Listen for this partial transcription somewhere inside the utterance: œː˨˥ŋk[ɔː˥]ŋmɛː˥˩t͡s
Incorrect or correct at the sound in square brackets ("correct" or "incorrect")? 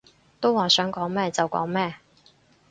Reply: incorrect